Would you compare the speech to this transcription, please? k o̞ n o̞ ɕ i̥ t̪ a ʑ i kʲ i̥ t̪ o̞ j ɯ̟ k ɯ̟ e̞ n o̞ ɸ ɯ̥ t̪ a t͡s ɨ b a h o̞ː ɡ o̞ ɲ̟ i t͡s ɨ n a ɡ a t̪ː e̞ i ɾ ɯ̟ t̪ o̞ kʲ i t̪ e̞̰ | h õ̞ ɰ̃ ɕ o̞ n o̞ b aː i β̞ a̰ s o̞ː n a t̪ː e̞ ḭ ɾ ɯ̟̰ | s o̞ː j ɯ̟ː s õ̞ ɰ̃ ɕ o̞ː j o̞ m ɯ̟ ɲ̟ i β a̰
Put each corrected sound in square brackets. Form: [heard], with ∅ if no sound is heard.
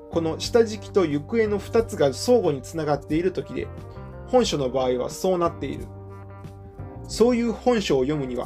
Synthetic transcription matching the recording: k o̞ n o̞ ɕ i̥ t̪ a ʑ i kʲ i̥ t̪ o̞ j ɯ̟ k ɯ̟ e̞ n o̞ ɸ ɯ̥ t̪ a t͡s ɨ [ɡ] a [s] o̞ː ɡ o̞ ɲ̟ i t͡s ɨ n a ɡ a t̪ː e̞ i ɾ ɯ̟ t̪ o̞ kʲ i [d̪] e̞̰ | h õ̞ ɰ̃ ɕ o̞ n o̞ b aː i β̞ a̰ s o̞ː n a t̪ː e̞ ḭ ɾ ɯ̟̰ | s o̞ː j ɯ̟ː [h] õ̞ ɰ̃ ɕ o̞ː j o̞ m ɯ̟ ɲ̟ i β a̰